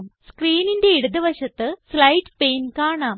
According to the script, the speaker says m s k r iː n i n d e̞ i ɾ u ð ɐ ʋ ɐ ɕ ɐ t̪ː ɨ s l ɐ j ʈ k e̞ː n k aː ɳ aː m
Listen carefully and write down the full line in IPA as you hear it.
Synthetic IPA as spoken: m s k r iː n i n d e̞ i ɽ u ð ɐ ʋ ɐ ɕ ɐ t̪ː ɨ s l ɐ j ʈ p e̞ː n k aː ɳ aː m